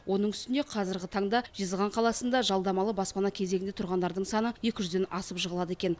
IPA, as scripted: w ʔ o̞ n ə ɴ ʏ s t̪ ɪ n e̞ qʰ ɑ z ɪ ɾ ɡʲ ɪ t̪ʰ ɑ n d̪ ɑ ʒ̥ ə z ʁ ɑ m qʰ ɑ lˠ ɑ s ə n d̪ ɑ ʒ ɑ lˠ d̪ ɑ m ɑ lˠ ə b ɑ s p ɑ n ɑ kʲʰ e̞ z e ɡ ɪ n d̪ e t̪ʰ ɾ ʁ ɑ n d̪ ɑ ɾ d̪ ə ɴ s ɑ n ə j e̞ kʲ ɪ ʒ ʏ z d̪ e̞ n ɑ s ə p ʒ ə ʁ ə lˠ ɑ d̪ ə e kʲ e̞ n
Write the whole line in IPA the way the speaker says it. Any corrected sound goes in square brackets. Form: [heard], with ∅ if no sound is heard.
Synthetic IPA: w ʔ o̞ n ə ɴ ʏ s t̪ ɪ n e̞ qʰ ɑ z ɪ ɾ ɡʲ ɪ t̪ʰ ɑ [ɴ] d̪ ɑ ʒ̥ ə z ʁ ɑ [ɴ] qʰ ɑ lˠ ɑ s ə n d̪ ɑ ʒ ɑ lˠ d̪ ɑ m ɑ lˠ ə b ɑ s p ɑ n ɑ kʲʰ e̞ z e ɡ ɪ n d̪ e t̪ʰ ɾ ʁ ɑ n d̪ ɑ ɾ d̪ ə ɴ s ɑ n ə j e̞ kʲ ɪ ʒ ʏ z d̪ e̞ n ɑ s ə p ʒ ə ʁ ə lˠ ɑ d̪ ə e kʲ e̞ n